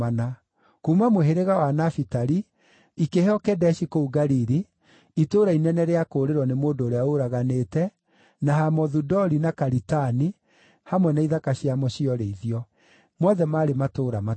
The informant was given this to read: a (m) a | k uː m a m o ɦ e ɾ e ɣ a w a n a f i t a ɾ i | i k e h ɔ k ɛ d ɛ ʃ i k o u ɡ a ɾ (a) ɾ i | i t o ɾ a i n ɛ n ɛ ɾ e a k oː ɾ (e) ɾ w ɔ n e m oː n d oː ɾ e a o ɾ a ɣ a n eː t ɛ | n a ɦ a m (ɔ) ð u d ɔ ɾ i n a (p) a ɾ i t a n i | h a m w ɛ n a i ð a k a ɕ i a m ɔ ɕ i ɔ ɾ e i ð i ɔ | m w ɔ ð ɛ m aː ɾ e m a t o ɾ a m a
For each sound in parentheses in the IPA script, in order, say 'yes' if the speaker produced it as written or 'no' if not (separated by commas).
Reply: no, no, yes, yes, no